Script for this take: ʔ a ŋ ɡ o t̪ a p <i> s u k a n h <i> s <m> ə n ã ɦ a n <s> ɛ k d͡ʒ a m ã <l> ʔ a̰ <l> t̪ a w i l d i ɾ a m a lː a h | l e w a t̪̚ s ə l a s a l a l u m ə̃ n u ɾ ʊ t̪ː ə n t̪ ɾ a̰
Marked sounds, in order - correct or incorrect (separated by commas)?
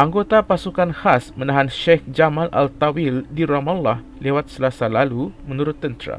incorrect, incorrect, correct, incorrect, correct, correct